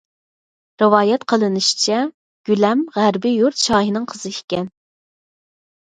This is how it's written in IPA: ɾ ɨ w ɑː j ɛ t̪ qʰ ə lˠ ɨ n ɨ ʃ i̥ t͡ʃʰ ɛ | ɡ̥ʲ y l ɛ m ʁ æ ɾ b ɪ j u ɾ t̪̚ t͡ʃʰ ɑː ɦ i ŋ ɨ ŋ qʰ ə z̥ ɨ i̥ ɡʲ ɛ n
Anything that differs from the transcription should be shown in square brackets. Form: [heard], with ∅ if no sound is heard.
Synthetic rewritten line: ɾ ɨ w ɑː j ɛ t̪ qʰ ə lˠ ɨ n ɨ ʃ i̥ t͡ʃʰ ɛ | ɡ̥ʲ y l ɛ m ʁ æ ɾ b ɪ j u ɾ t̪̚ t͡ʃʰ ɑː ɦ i [n] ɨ ŋ qʰ ə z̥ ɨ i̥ [kʲ] ɛ n